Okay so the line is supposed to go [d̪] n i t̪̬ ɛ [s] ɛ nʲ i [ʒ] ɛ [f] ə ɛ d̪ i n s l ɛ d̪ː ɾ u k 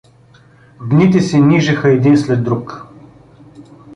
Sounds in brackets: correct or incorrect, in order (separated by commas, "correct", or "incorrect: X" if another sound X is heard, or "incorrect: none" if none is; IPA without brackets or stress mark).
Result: correct, correct, correct, incorrect: x